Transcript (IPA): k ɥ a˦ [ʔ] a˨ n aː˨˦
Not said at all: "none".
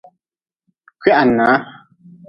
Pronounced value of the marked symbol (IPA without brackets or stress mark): ʔ